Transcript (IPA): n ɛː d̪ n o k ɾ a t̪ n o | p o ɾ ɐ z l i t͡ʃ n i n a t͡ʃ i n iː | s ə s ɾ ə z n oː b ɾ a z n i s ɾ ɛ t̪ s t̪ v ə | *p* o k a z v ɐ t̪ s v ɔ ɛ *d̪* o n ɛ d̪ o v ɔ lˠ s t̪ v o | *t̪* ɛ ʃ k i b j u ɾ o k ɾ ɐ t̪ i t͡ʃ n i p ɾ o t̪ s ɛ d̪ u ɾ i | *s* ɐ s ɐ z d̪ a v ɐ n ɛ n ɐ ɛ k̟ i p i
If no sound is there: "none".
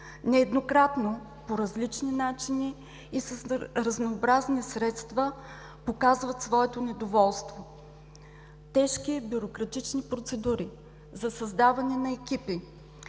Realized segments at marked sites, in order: p, t̪, t̪, z

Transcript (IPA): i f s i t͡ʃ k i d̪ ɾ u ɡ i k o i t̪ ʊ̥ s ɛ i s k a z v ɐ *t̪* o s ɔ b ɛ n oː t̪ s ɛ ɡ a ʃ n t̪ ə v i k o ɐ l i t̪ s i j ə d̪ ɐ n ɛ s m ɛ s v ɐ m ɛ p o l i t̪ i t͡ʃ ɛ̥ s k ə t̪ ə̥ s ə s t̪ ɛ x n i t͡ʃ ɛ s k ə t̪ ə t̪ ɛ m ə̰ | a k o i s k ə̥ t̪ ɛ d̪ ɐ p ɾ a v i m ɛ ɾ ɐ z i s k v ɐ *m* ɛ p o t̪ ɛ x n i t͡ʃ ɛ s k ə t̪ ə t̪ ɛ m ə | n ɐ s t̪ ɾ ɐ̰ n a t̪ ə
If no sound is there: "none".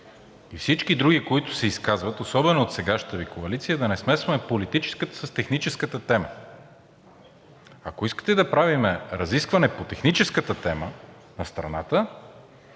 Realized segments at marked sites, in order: t̪, n

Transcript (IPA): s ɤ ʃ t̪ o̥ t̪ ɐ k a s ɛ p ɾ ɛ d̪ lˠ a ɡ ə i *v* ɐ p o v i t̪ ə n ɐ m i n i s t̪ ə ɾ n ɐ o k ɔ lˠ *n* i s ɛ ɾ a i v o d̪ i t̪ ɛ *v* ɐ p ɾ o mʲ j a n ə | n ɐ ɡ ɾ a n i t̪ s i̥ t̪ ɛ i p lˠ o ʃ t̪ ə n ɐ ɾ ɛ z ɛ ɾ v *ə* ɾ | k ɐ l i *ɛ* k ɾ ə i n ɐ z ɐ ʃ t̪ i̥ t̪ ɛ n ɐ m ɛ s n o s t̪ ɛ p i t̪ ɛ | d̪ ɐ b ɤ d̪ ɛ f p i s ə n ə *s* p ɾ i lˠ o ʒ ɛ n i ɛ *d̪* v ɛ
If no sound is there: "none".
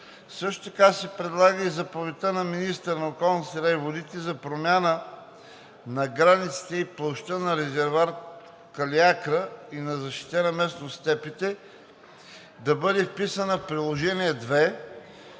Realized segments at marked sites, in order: z, n, z, a, a, f, d̪

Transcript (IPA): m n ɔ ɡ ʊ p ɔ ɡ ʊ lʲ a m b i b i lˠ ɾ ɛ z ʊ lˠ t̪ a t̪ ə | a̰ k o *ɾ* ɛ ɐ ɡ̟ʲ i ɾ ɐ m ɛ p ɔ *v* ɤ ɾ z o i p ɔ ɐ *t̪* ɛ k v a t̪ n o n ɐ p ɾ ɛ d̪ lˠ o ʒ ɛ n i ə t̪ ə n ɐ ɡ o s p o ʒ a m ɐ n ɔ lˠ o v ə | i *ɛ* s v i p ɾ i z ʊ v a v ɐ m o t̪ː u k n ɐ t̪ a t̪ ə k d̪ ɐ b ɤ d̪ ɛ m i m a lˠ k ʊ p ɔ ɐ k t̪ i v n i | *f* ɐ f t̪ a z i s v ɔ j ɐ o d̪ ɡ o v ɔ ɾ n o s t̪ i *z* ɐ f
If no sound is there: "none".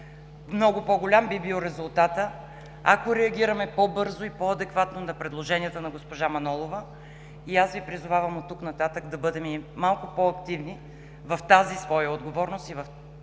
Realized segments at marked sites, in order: ɾ, b, d̪, a, v, v

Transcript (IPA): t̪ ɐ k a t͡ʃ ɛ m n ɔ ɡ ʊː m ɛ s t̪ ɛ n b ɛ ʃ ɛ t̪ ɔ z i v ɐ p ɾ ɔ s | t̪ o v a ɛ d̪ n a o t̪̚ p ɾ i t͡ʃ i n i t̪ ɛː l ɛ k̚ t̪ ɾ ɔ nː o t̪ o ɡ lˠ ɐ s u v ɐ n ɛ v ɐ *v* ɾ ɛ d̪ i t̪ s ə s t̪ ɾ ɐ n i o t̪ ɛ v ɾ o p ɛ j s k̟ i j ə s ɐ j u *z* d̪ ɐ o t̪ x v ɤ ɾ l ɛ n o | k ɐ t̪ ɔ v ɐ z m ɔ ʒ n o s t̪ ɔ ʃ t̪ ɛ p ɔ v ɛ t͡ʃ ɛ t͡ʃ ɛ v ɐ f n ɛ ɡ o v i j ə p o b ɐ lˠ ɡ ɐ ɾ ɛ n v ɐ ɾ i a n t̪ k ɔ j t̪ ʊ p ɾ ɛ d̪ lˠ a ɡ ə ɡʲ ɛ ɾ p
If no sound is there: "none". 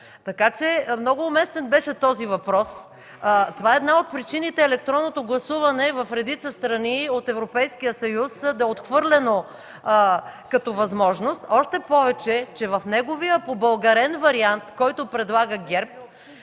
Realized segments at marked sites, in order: f, s

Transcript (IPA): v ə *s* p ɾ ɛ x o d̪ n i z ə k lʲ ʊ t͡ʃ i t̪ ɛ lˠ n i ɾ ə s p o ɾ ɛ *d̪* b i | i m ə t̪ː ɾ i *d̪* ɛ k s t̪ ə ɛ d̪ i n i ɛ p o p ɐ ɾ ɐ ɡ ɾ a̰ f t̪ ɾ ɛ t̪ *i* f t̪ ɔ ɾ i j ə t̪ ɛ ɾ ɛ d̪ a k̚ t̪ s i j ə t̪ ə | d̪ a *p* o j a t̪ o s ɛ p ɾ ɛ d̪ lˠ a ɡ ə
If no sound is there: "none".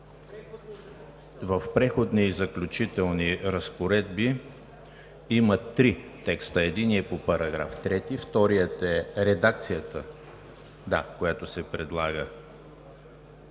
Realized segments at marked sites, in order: f, d̪, t̪, i, k

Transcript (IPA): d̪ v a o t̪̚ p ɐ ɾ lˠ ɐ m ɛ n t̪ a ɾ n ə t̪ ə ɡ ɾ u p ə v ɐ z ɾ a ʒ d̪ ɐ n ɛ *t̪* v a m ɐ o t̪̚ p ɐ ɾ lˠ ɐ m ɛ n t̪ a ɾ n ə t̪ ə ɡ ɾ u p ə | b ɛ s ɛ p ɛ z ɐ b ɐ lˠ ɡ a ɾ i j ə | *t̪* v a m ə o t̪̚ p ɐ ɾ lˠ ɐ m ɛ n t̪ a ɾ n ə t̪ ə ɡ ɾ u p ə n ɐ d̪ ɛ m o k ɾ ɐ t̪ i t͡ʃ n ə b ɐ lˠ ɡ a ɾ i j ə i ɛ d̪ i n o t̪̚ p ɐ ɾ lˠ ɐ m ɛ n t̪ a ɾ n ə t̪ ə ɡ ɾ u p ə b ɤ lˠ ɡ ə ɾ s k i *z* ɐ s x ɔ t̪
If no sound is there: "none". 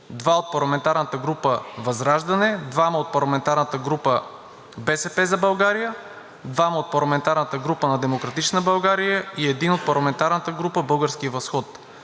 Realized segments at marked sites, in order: d̪, d̪, v

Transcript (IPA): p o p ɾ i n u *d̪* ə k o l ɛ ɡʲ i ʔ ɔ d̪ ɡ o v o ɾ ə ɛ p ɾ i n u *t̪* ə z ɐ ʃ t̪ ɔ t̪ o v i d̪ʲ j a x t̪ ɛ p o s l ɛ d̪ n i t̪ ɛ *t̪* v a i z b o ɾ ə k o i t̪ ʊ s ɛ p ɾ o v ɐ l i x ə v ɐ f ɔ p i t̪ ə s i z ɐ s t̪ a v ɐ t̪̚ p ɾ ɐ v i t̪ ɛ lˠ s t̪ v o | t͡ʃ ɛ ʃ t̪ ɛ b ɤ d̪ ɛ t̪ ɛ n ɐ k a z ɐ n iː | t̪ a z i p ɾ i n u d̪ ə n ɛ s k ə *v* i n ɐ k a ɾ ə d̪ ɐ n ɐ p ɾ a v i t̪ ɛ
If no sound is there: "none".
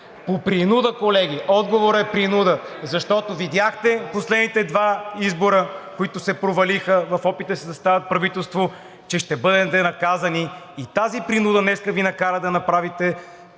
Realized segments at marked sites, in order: d̪, d̪, d̪, v

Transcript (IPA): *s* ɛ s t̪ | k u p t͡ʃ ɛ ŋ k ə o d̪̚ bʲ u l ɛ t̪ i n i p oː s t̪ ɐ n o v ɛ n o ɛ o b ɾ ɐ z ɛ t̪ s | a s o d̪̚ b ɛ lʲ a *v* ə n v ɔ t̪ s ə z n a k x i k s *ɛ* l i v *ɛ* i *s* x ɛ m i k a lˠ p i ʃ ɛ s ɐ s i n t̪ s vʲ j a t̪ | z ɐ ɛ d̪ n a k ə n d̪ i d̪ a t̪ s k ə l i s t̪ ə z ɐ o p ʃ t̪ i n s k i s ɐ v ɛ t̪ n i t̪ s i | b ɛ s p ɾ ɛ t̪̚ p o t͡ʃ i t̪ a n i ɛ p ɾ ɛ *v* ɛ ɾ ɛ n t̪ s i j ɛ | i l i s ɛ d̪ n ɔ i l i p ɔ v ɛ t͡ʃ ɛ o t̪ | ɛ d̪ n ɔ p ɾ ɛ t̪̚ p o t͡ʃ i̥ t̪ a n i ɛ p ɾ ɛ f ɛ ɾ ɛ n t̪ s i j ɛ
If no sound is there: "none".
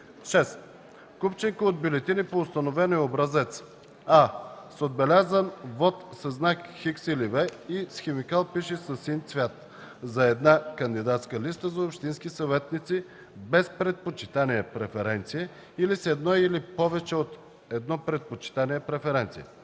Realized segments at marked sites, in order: ʃ, z, i, ɛ, s, f

